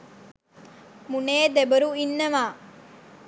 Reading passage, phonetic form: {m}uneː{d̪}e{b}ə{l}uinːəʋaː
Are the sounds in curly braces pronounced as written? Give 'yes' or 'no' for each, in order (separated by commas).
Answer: yes, yes, yes, no